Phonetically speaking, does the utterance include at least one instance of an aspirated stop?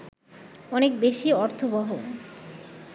yes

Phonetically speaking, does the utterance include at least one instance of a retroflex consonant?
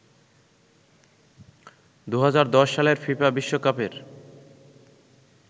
no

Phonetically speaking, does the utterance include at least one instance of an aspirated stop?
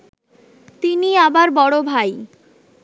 no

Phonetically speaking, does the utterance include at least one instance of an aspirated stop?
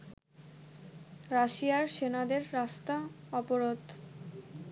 no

